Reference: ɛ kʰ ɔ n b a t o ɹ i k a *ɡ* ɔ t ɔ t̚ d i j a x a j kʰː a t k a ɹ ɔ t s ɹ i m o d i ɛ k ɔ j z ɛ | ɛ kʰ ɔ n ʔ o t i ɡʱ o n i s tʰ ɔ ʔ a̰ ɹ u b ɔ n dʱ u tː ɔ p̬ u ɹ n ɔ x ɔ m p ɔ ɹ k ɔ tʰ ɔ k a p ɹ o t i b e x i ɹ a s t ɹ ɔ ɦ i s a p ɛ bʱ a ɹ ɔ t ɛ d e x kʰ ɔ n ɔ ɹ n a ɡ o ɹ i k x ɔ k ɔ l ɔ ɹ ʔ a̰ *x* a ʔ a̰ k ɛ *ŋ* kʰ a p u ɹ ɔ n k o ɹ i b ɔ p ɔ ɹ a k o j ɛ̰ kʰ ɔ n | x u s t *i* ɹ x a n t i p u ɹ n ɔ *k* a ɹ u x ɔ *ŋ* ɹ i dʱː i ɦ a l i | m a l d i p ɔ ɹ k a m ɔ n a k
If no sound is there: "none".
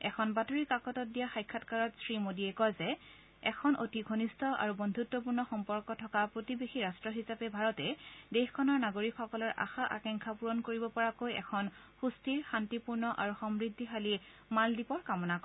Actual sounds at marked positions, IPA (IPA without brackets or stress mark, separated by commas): k, x, ŋ, i, ʔ, m